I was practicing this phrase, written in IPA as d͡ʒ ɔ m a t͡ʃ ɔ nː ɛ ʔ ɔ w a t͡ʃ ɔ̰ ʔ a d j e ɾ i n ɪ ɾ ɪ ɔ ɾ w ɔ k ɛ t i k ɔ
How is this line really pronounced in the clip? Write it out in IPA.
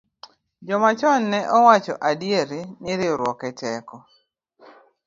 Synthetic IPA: d͡ʒ ɔ m a t͡ʃ ɔ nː ɛ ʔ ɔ w a t͡ʃ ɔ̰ ʔ a d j e ɾ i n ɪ ɾ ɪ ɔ ɾ w ɔ k ɛ t ɛ k ɔ